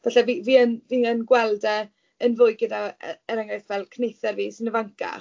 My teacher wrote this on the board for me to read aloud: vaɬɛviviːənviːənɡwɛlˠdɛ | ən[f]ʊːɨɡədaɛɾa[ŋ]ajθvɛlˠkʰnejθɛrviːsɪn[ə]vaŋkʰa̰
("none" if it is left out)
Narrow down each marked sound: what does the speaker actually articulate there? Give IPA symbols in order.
v, ŋ, ə

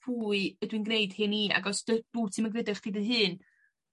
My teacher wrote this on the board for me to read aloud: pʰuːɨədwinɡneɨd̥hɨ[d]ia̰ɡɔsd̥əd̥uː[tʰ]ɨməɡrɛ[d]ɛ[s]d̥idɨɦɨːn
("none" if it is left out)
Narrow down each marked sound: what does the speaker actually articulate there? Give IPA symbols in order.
n, tʰ, d, χ

